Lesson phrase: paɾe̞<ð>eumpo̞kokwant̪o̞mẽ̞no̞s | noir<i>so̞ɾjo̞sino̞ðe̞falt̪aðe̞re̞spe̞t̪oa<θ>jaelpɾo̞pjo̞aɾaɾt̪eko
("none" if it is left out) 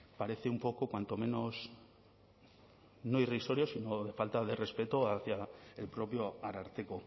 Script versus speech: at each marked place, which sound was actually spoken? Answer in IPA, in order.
θ, i, θ

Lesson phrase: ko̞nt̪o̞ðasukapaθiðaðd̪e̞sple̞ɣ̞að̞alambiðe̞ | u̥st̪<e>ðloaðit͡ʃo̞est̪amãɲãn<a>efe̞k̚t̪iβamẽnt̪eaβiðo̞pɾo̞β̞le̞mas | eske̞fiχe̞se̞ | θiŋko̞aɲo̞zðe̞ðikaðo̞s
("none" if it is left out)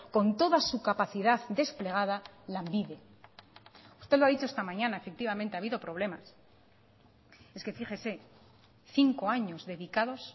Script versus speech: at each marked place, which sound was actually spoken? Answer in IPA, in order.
e, a

